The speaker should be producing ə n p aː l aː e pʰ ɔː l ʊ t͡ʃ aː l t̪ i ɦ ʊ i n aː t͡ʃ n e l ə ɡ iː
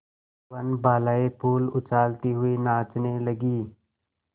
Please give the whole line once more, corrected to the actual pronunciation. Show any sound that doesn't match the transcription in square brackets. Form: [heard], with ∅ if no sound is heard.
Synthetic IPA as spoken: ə n [b] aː l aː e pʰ [uː] l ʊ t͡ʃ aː l t̪ i ɦ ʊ i n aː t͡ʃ n e l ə ɡ iː

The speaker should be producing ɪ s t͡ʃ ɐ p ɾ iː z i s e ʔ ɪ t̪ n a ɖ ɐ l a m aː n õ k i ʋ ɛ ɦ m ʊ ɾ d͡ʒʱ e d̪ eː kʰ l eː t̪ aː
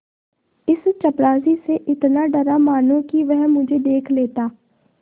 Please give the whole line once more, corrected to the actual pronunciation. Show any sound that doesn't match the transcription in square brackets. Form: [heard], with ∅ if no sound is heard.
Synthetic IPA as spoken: ɪ s t͡ʃ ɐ p ɾ [aː] z i s e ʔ ɪ t̪ n a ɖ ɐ [ɾ] a m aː n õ k i ʋ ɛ ɦ m ʊ [∅] d͡ʒʱ e d̪ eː kʰ l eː t̪ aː

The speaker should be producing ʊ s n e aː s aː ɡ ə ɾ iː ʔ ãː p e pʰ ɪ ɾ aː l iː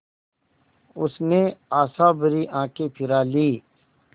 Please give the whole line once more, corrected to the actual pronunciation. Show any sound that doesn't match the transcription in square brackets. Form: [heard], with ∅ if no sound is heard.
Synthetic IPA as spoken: ʊ s n e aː s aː [b] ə ɾ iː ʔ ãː [k] e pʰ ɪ ɾ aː l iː

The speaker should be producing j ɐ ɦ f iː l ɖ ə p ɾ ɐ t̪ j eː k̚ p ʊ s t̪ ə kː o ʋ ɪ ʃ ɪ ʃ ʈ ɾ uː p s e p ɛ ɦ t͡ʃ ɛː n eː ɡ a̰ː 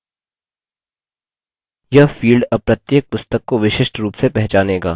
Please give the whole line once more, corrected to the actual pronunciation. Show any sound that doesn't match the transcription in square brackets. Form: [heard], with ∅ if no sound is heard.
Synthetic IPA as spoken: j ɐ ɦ f iː l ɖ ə p ɾ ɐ t̪ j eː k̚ p ʊ s t̪ ə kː o ʋ ɪ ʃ ɪ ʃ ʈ ɾ uː p s e p ɛ ɦ t͡ʃ [aː] n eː ɡ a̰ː

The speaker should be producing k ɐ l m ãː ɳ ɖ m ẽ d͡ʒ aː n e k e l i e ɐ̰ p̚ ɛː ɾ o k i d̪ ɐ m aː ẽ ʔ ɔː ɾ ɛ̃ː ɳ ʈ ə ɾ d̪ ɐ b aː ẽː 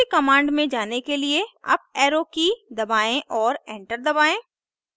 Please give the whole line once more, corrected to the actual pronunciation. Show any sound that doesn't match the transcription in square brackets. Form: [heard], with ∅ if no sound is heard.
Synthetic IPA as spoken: k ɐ [∅] m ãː ɳ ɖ m ẽ d͡ʒ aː n e k e l i e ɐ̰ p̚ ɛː ɾ o k i d̪ ɐ [b] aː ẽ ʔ ɔː ɾ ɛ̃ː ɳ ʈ ə ɾ d̪ ɐ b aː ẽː

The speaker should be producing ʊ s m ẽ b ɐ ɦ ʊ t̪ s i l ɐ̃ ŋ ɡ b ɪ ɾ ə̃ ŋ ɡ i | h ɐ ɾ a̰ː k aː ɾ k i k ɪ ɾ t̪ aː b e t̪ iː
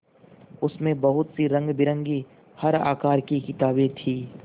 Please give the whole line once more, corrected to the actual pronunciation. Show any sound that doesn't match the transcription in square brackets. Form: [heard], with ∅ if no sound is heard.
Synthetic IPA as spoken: ʊ s m ẽ b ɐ ɦ ʊ t̪ s i [ɾ] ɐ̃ ŋ ɡ b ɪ ɾ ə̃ ŋ ɡ i | h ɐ ɾ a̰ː k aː ɾ k i k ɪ [∅] t̪ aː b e [t̪ʰ] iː

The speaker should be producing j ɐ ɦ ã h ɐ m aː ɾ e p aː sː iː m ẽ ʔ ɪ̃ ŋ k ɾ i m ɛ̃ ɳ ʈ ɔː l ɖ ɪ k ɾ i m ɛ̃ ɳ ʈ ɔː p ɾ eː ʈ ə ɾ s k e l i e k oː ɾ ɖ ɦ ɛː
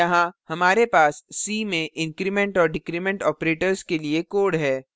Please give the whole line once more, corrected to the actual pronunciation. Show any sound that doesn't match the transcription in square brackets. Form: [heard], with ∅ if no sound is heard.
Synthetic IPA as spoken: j ɐ ɦ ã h ɐ m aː ɾ e p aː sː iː m ẽ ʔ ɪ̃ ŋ k ɾ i m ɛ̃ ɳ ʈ ɔː [ɾ] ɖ ɪ k ɾ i m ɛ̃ ɳ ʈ ɔː p ɾ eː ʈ ə ɾ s k e l i e k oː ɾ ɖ ɦ ɛː

